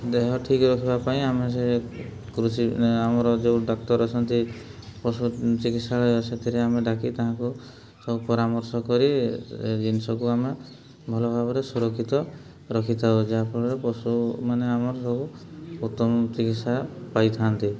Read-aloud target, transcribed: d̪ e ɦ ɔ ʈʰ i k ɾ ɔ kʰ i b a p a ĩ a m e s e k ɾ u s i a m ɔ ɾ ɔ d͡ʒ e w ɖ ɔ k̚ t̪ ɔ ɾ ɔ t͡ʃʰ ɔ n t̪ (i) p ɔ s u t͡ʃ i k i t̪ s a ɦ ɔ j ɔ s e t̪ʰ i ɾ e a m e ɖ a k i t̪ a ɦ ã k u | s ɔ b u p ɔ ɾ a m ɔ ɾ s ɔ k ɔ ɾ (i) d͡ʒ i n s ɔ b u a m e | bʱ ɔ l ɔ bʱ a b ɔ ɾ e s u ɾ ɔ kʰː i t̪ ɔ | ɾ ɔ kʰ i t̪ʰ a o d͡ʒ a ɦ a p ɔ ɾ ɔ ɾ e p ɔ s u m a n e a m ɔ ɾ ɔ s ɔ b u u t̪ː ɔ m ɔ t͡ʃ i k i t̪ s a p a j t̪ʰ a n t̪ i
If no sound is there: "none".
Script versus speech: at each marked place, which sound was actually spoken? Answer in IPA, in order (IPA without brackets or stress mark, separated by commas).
i, i